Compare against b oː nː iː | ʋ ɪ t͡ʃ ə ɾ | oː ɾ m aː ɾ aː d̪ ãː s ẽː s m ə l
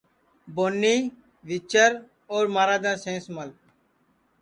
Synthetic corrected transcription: b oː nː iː | ʋ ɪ t͡ʃ ə ɾ | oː ɾ m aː ɾ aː d̪ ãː s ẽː s m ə l